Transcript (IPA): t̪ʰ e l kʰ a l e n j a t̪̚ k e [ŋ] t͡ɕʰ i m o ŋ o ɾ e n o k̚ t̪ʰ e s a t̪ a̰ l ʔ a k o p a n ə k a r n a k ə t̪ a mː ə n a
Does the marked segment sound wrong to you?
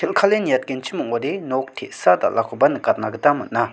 yes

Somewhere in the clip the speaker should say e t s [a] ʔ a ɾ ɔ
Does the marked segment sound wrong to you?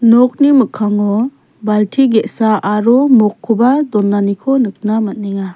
no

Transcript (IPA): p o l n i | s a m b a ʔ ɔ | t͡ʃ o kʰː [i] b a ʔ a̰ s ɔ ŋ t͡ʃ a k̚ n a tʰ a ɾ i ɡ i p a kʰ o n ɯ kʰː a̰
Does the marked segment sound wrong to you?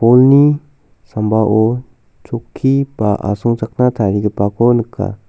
no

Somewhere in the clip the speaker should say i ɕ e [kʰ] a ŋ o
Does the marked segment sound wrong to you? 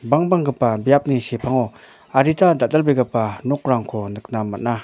yes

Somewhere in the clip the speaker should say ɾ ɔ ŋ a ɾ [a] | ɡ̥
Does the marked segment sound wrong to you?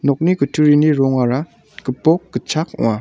no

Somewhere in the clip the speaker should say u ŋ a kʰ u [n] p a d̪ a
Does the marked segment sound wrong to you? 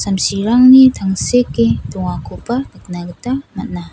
yes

